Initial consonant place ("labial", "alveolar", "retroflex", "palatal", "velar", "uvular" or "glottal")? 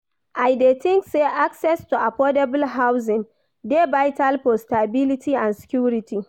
glottal